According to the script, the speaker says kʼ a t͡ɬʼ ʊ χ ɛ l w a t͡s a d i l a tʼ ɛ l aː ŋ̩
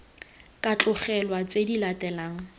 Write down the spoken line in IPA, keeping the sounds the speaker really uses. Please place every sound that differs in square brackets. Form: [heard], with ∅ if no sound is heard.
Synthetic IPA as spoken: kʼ a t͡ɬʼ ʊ χ ɛ l w a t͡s [e] d i l a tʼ ɛ l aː ŋ̩

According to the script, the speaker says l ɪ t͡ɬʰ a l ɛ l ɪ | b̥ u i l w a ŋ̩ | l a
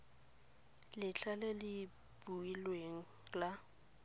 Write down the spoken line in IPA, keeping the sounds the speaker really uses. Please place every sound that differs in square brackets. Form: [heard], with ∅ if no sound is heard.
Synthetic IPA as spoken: l ɪ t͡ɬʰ a l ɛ l ɪ | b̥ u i l w [e] ŋ̩ | l a

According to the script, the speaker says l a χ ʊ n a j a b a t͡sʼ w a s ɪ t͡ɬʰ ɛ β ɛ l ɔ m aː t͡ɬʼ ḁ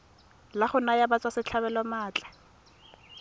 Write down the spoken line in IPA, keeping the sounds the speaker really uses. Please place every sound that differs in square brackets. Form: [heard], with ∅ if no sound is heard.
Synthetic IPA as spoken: l a χ ʊ n a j a b a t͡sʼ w a s ɪ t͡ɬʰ [a] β ɛ l ɔ m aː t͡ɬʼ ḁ

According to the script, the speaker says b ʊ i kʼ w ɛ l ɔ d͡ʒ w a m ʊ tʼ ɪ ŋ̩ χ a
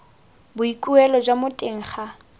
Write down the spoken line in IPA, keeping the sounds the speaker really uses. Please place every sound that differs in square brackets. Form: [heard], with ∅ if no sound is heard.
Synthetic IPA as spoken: b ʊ i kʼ [u] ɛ l ɔ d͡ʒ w a m ʊ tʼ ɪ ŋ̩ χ a

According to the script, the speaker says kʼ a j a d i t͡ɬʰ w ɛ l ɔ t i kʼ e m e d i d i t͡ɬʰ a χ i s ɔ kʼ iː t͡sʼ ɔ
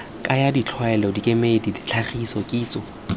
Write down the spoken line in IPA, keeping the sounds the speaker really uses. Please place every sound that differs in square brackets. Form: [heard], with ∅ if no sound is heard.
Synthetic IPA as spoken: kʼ a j a d i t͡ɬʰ w ɛ l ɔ [d] i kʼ e m e d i d i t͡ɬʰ a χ i s ɔ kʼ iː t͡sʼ ɔ

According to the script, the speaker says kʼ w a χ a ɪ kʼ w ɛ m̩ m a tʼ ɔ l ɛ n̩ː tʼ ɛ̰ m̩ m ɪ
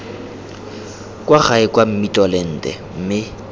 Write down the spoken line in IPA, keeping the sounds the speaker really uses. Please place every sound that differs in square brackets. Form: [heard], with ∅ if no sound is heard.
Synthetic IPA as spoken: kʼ w a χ a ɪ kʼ w [a] m̩ m [i] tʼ ɔ l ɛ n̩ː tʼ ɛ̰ m̩ m ɪ

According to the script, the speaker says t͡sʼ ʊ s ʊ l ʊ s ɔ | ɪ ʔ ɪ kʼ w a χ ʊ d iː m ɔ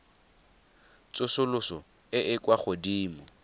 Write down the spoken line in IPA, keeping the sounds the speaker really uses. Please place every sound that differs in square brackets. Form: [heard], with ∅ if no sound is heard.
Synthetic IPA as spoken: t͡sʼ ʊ s ʊ l ʊ s ɔ | ɪ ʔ ɪ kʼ w a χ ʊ d iː m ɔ

